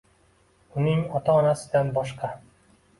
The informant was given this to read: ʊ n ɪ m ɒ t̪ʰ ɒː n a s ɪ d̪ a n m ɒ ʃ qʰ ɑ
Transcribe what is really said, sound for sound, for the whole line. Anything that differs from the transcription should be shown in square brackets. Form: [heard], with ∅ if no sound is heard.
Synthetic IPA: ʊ n ɪ [ŋ] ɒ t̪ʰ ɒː n a s ɪ d̪ a n [b] ɒ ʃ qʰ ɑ

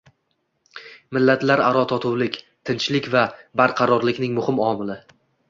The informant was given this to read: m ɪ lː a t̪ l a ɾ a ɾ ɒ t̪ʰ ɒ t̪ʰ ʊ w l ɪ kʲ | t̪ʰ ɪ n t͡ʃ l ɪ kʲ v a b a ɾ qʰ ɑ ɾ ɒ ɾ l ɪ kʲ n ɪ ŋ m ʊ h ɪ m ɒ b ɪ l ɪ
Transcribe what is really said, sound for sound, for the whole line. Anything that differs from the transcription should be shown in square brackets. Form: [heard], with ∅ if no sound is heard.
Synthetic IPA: m ɪ lː a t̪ l a ɾ a ɾ ɒ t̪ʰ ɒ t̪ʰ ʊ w l ɪ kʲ | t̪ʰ ɪ n t͡ʃ l ɪ kʲ v a b a ɾ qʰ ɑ ɾ ɒ ɾ l ɪ kʲ n ɪ ŋ m ʊ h ɪ m ɒ [m] ɪ l ɪ

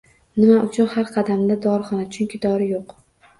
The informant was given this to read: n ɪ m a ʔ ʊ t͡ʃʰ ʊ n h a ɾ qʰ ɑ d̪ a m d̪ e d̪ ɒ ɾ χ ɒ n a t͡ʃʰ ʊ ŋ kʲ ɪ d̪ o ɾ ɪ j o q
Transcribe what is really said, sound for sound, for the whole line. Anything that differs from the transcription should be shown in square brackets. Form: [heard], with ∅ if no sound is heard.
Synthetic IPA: n ɪ m a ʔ ʊ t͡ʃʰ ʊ n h a ɾ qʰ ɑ d̪ a m d̪ [a] d̪ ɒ ɾ χ ɒ n a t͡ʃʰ ʊ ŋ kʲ ɪ d̪ [ɒ] ɾ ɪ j o q

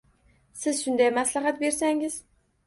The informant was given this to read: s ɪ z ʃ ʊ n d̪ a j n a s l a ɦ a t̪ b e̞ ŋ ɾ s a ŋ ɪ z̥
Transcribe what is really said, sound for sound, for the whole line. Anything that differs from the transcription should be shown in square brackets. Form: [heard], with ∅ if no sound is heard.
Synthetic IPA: s ɪ z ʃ ʊ n d̪ a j [m] a s l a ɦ a t̪ b e̞ [∅] ɾ s a ŋ ɪ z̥

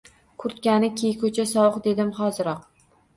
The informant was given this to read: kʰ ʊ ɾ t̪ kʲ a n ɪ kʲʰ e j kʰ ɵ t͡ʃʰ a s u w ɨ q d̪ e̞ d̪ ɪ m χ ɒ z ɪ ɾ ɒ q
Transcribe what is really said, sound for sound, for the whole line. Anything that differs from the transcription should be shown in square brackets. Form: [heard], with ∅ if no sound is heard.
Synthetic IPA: kʰ ʊ ɾ t̪ kʲ a n ɪ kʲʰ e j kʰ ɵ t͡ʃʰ a s [ɒ] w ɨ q d̪ e̞ d̪ ɪ m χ ɒ z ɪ ɾ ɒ q

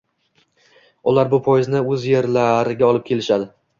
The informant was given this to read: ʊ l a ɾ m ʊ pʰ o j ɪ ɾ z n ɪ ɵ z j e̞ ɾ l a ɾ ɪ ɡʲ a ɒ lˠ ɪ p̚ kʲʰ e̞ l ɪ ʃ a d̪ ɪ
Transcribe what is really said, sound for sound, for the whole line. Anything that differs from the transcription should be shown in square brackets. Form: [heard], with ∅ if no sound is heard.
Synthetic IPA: ʊ l a ɾ [b] ʊ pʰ o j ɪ [∅] z n ɪ ɵ z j e̞ ɾ l a ɾ ɪ ɡʲ a ɒ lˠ ɪ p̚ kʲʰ e̞ l ɪ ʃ a d̪ ɪ

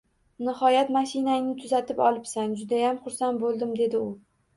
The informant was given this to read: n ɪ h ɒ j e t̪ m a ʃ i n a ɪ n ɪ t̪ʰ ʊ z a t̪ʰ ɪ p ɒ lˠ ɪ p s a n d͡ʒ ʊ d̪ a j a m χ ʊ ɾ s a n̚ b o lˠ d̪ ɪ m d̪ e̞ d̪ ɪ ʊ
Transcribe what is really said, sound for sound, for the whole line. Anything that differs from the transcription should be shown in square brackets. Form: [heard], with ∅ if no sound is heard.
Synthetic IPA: n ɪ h ɒ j [a] t̪ m a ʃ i n a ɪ n ɪ t̪ʰ ʊ z a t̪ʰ ɪ p ɒ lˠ ɪ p s a n d͡ʒ ʊ d̪ a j a m χ ʊ ɾ s a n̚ b o lˠ d̪ ɪ m d̪ e̞ d̪ ɪ ʊ

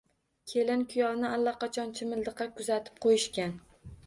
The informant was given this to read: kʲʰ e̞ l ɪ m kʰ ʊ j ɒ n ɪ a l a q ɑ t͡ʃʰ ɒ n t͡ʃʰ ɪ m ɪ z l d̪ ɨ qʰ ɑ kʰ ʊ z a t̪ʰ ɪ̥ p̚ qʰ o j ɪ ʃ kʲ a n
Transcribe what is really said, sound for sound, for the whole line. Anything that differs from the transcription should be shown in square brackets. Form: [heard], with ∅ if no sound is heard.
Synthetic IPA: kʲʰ e̞ l ɪ [n] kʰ ʊ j ɒ n ɪ a [lː] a q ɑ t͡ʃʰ ɒ n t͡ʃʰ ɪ m ɪ [∅] l d̪ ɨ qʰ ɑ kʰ ʊ z a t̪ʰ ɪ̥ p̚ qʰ o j ɪ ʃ kʲ a n

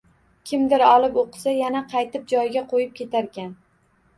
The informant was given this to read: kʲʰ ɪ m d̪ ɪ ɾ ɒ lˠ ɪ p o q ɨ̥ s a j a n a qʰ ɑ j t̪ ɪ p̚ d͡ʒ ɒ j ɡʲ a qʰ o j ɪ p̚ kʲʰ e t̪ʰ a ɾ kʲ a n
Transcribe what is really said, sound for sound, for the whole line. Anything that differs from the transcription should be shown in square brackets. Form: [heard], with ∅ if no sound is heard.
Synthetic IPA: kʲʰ ɪ m d̪ ɪ ɾ ɒ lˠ ɪ p o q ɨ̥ s a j a n a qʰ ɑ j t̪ ɪ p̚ d͡ʒ ɒ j ɡʲ a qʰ o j ɪ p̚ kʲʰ e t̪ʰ a ɾ kʲ a n

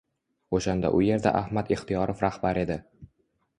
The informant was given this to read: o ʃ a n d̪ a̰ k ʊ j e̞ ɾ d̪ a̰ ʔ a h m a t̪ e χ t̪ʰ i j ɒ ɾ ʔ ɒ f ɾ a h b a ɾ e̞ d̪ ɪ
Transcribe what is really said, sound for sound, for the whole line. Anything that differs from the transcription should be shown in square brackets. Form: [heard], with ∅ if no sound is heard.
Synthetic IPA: o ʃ a n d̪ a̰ [ʔ] ʊ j e̞ ɾ d̪ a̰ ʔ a h m a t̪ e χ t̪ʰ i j ɒ ɾ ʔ [o] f ɾ a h b a ɾ e̞ d̪ ɪ

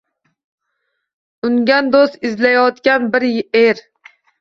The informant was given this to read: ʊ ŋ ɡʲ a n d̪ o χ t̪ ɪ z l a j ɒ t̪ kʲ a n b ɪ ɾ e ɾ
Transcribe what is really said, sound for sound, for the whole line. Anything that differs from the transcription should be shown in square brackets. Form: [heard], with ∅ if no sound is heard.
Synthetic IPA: ʊ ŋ ɡʲ a n d̪ o [s] t̪ ɪ z l a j ɒ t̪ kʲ a n b ɪ ɾ e ɾ

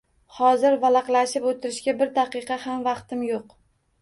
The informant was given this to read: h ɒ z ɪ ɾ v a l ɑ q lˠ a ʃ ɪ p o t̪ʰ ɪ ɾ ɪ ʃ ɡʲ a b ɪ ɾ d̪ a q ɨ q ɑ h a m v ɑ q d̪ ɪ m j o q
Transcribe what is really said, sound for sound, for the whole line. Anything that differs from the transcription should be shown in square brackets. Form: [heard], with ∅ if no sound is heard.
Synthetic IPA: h ɒ z ɪ ɾ v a l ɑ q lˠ a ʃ ɪ p o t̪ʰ ɪ ɾ ɪ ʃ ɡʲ a b ɪ ɾ d̪ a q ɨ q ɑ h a m v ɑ q [t̪] ɪ m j o q

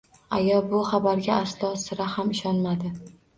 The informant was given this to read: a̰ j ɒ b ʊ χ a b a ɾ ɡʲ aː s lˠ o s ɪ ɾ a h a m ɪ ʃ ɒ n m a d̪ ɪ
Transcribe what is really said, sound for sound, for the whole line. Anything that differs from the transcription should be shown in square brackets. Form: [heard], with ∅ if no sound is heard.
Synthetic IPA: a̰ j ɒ b ʊ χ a b a ɾ ɡʲ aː s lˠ [ɒ] s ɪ ɾ a h a m ɪ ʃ ɒ n m a d̪ ɪ

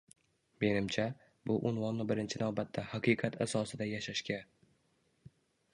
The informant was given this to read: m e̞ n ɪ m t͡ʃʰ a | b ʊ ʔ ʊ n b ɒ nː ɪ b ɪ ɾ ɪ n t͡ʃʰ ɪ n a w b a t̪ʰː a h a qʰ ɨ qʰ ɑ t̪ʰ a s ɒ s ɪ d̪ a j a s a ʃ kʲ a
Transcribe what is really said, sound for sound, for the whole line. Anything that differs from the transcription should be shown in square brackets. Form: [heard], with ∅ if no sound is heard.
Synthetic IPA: m e̞ n ɪ m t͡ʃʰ a | b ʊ ʔ ʊ n [v] ɒ nː ɪ b ɪ ɾ ɪ n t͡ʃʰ ɪ n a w b a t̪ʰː a h a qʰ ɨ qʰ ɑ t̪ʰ a s ɒ s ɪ d̪ a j a [ʃ] a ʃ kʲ a

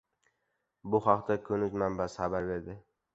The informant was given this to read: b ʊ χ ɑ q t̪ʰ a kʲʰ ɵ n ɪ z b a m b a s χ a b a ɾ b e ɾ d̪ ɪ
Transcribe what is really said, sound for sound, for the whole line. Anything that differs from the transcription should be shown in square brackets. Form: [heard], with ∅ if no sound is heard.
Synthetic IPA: b ʊ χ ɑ q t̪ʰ a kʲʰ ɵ n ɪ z [m] a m b a s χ a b a ɾ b e ɾ d̪ ɪ

